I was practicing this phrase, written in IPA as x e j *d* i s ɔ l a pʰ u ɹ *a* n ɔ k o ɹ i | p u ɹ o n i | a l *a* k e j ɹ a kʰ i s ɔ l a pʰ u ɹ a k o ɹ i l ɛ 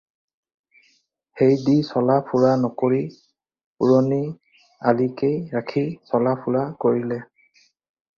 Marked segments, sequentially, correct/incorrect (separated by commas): correct, correct, incorrect